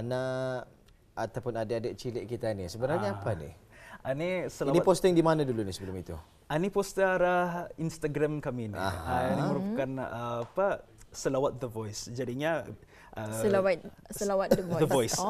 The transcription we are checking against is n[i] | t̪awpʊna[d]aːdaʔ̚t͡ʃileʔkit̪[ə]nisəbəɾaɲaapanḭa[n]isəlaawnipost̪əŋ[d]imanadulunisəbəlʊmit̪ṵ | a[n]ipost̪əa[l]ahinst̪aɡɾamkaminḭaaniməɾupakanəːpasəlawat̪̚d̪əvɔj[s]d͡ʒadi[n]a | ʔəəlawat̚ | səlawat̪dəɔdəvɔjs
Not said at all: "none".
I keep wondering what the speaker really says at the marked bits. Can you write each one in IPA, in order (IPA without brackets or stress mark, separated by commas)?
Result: a, d, a, n, d, n, ɾ, s, ɲ